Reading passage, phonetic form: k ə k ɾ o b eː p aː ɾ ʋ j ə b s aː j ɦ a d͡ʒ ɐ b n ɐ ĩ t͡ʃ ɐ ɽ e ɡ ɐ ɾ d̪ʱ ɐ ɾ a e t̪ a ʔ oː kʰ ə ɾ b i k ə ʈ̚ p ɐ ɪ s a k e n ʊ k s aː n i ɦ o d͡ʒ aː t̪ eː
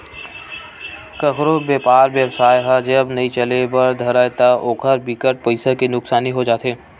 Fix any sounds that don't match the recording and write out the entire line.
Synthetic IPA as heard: k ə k ɾ o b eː p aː ɾ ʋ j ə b s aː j ɦ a d͡ʒ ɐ b n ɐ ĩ t͡ʃ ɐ l e b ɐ ɾ d̪ʱ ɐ ɾ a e t̪ a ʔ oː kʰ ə ɾ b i k ə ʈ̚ p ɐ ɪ s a k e n ʊ k s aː n i ɦ o d͡ʒ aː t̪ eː